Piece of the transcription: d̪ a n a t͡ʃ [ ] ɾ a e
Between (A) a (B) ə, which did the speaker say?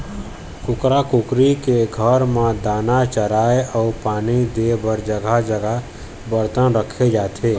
B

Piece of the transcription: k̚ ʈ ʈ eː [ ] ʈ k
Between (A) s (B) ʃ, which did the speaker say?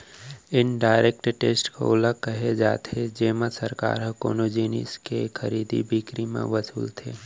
A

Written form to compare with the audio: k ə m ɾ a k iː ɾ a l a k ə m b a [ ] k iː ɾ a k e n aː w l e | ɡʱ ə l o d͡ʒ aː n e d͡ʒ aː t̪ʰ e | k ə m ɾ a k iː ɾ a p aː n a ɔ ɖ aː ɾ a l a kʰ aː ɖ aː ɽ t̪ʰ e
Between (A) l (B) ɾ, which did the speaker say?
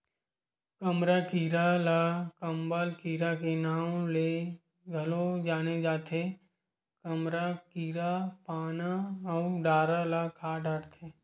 A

